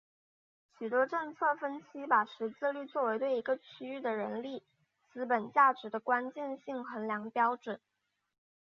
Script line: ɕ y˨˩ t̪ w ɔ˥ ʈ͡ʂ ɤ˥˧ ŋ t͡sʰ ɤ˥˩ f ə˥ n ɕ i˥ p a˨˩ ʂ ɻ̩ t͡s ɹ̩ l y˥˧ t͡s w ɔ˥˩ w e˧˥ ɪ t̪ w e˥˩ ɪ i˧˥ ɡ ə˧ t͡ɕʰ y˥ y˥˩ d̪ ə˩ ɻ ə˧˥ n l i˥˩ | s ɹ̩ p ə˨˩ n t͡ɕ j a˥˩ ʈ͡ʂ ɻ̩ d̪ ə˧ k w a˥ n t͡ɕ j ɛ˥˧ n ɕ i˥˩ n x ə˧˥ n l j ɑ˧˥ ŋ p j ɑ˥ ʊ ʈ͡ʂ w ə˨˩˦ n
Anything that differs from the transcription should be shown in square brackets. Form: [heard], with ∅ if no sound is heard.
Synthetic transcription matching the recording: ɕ y˨˩ t̪ w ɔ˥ ʈ͡ʂ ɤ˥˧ ŋ t͡sʰ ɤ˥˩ f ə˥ n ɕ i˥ p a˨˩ ʂ ɻ̩ t͡s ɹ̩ l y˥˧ t͡s w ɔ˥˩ w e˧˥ ɪ t̪ w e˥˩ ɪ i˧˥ ɡ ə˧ t͡ɕʰ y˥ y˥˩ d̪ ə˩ ɻ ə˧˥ n l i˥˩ | [t͡s] ɹ̩ p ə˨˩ n t͡ɕ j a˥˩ ʈ͡ʂ ɻ̩ d̪ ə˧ k w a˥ n t͡ɕ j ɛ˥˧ n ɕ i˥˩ [ŋ] x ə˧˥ n l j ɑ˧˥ ŋ p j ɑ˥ ʊ ʈ͡ʂ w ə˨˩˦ n

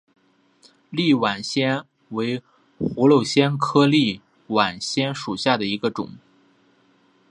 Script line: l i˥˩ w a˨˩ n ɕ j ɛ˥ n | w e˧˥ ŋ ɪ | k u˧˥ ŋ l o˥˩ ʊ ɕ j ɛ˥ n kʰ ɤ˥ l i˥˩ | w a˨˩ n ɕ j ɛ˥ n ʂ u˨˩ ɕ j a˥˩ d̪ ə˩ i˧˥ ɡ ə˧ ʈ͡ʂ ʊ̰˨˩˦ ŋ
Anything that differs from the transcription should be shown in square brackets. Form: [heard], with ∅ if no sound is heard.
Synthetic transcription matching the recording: l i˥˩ w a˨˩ n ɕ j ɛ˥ n | w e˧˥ [∅] ɪ | [x] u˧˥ [∅] l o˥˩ ʊ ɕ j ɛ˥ n kʰ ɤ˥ l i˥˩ | w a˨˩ n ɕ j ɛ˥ n ʂ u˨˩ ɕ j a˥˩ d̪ ə˩ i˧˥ ɡ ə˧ ʈ͡ʂ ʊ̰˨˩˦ ŋ

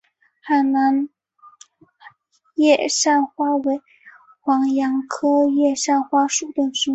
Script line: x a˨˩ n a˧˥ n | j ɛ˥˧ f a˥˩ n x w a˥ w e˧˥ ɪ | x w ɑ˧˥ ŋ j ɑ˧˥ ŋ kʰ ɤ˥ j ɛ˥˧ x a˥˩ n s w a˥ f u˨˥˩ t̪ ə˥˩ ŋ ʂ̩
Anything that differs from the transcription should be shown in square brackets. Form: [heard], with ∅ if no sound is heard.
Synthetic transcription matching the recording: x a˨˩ n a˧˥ n | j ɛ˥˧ [ʂ] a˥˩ n x w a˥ w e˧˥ ɪ | x w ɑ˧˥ ŋ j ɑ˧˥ ŋ kʰ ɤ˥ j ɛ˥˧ [ʂ] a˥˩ n [x] w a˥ [ʂ] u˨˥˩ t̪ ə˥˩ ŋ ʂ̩

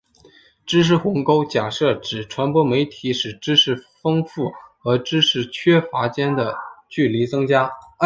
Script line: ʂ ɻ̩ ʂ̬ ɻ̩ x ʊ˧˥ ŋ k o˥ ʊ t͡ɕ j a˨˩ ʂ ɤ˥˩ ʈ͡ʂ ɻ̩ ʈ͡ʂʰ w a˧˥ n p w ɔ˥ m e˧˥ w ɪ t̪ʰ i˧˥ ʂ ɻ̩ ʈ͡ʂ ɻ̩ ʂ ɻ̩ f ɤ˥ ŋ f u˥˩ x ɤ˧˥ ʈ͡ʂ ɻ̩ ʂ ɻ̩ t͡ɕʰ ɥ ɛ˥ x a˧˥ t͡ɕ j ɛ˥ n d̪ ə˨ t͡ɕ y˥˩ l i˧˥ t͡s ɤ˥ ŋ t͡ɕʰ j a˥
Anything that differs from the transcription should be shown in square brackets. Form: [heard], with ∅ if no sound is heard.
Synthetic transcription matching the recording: [ʈ͡ʂ] ɻ̩ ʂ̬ ɻ̩ x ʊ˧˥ ŋ k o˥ ʊ t͡ɕ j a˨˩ ʂ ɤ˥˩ ʈ͡ʂ ɻ̩ ʈ͡ʂʰ w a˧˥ n p w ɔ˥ m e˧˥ [∅] ɪ t̪ʰ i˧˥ ʂ ɻ̩ ʈ͡ʂ ɻ̩ ʂ ɻ̩ f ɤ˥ ŋ f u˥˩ x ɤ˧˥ ʈ͡ʂ ɻ̩ ʂ ɻ̩ t͡ɕʰ ɥ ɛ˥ [f] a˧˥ t͡ɕ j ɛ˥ n d̪ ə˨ t͡ɕ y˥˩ l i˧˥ t͡s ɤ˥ ŋ [t͡ɕ] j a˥

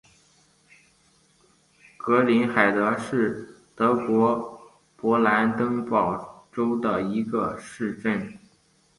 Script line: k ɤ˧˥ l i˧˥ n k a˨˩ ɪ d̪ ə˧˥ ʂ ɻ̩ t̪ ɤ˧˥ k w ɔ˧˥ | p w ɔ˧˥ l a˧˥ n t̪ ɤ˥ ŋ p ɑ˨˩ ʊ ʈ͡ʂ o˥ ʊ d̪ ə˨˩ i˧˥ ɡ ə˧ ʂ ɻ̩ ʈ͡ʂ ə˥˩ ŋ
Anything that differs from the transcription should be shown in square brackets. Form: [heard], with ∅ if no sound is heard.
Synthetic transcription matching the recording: k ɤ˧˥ l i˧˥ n [x] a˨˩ ɪ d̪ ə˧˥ ʂ ɻ̩ t̪ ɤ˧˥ k w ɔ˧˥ | p w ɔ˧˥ l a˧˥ n t̪ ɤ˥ ŋ p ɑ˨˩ ʊ ʈ͡ʂ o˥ ʊ d̪ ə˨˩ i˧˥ ɡ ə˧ ʂ ɻ̩ ʈ͡ʂ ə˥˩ [n]

